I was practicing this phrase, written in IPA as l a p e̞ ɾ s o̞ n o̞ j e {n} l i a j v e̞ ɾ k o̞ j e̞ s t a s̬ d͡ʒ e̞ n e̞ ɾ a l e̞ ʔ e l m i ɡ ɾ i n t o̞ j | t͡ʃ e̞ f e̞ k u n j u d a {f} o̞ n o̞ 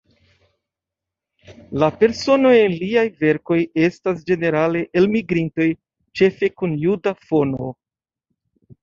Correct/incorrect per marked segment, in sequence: correct, correct

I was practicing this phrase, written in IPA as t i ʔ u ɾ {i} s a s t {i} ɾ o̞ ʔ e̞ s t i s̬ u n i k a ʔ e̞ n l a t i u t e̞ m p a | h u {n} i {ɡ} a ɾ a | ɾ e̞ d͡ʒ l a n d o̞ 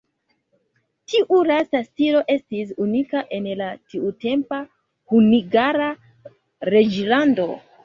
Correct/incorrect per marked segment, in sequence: incorrect, correct, correct, correct

